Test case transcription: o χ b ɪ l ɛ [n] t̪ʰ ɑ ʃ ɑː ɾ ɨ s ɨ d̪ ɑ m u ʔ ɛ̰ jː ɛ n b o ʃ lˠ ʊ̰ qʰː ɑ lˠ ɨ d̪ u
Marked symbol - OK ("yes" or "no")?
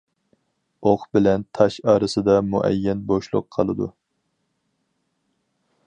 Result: yes